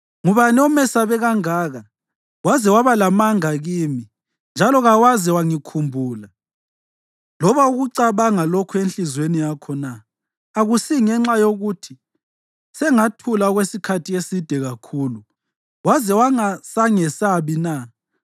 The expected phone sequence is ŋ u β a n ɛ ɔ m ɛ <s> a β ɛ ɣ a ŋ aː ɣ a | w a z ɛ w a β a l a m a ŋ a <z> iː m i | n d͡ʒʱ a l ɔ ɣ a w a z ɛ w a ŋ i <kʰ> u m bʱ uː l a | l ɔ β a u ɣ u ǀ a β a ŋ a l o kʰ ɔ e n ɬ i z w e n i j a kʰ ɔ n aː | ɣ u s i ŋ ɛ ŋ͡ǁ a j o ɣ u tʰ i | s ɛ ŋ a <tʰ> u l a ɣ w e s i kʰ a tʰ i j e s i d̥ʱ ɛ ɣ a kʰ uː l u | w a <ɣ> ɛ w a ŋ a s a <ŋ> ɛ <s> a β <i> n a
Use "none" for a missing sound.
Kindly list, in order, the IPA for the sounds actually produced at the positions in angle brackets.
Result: s, ɣ, kʰ, tʰ, z, ŋ, s, i

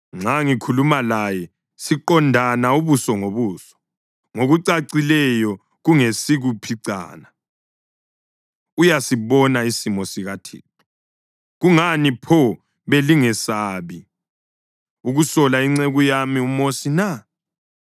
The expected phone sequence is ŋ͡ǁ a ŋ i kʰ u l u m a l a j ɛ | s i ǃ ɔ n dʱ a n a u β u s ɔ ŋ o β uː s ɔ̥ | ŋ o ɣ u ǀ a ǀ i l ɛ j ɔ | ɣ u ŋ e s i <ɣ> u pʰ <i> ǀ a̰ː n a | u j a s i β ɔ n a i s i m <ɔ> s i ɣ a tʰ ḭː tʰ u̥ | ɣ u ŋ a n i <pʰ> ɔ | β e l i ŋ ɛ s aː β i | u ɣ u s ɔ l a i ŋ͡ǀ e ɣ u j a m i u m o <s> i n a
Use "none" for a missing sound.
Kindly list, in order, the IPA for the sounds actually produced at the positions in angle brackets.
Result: ɣ, i, ɔ, pʰ, s

